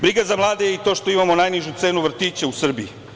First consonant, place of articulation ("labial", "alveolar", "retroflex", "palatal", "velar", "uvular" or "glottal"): labial